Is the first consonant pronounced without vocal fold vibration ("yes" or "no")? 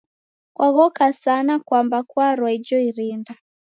yes